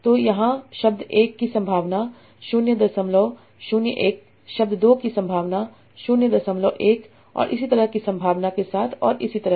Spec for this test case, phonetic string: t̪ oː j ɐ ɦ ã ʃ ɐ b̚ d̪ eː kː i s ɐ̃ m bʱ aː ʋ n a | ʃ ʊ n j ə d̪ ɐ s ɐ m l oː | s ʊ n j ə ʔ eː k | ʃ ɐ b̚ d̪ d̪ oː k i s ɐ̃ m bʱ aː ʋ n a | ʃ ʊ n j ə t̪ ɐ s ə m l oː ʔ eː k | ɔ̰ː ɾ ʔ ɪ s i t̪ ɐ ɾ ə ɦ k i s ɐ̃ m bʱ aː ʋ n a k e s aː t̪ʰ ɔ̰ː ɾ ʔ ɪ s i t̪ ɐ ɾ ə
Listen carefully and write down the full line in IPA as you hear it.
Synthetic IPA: t̪ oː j ɐ ɦ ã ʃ ɐ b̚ d̪ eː kː i s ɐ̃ m bʱ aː ʋ n a | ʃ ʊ n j ə d̪ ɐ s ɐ m l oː | ʃ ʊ n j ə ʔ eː k | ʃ ɐ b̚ d̪ d̪ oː k i s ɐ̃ m bʱ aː ʋ n a | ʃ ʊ n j ə d̪ ɐ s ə m l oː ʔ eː k | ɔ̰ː ɾ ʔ ɪ s i t̪ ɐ ɾ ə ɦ k i s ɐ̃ m bʱ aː ʋ n a k e s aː t̪ʰ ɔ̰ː ɾ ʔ ɪ s i t̪ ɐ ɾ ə